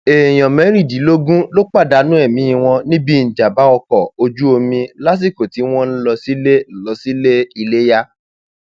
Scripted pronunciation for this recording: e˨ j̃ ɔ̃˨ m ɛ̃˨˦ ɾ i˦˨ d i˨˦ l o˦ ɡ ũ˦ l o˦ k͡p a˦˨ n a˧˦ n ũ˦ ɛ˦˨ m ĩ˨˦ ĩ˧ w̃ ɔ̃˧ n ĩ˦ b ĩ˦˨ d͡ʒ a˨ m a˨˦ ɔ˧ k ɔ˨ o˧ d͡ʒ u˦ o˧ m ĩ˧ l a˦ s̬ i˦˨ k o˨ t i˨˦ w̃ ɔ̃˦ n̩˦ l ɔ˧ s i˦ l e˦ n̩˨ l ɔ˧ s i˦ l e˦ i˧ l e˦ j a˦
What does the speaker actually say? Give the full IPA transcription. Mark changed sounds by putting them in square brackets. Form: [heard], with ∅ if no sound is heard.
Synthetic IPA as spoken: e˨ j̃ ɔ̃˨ m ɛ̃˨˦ ɾ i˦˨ d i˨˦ l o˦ ɡ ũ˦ l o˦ k͡p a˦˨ [d] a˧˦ n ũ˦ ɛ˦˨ m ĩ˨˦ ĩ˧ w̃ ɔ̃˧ n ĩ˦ b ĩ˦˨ d͡ʒ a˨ [b] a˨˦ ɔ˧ k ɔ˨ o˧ d͡ʒ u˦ o˧ m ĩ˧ l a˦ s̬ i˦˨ k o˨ t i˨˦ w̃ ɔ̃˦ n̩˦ l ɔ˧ s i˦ l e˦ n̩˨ l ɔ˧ s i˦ l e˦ i˧ l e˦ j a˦